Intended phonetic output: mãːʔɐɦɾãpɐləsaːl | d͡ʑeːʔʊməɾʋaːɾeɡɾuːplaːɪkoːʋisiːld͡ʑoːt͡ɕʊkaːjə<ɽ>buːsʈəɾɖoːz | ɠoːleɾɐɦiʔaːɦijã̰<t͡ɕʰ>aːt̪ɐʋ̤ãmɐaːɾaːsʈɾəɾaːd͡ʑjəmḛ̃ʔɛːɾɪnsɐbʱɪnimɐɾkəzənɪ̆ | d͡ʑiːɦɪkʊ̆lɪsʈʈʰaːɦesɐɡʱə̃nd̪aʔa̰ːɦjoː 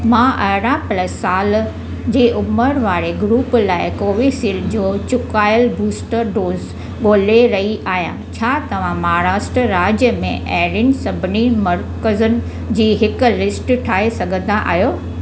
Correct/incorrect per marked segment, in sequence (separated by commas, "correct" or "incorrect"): incorrect, correct